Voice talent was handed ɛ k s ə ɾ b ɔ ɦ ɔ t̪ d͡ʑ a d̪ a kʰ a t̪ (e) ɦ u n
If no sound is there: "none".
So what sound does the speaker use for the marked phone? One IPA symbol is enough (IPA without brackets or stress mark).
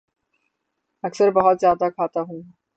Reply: a